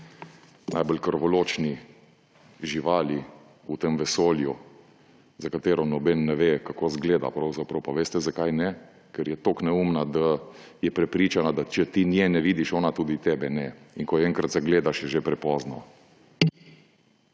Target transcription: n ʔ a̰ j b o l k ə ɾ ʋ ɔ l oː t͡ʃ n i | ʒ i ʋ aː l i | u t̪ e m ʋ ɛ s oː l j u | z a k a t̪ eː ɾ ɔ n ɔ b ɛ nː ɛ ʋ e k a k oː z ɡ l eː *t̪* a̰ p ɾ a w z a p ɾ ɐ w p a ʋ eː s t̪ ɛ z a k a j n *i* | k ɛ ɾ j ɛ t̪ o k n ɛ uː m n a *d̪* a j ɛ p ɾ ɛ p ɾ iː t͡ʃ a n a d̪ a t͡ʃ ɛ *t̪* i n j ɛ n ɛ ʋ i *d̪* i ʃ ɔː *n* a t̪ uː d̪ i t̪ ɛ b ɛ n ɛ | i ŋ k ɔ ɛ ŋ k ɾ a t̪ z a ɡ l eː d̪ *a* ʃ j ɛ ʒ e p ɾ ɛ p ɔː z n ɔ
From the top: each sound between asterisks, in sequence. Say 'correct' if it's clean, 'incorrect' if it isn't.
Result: incorrect: d̪, incorrect: ɛ, correct, correct, correct, correct, correct

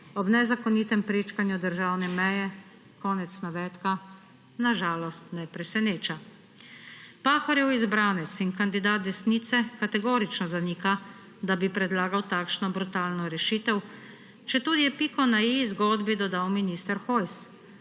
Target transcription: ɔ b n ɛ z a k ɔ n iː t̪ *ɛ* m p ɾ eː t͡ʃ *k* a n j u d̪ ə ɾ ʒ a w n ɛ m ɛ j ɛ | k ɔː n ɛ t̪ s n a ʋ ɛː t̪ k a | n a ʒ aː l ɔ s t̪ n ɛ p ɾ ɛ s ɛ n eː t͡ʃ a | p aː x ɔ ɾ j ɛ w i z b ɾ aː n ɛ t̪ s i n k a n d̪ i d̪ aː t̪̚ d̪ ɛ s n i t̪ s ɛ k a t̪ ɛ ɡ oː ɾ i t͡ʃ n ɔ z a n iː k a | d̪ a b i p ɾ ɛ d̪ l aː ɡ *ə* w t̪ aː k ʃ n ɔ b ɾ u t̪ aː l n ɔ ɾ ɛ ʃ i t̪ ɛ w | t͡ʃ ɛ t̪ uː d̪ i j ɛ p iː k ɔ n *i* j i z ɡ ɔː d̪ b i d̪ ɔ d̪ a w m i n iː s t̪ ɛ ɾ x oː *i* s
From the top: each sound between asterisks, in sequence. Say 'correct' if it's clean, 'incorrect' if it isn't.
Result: correct, correct, incorrect: a, incorrect: a, incorrect: j

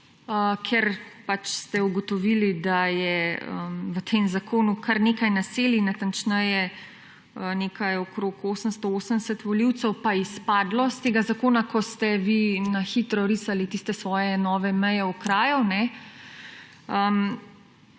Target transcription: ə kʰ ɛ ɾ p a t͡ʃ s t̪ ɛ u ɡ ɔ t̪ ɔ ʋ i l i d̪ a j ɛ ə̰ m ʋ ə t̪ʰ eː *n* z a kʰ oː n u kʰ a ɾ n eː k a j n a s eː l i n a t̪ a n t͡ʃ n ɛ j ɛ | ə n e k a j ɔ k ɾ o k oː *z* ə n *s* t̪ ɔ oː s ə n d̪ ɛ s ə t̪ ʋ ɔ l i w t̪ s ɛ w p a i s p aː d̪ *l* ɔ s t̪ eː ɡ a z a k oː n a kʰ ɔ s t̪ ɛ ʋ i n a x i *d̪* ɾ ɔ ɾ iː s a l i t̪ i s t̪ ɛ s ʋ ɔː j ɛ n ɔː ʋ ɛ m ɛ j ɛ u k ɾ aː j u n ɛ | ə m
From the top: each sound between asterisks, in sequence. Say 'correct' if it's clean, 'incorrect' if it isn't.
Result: incorrect: m, incorrect: s, correct, correct, incorrect: t̪

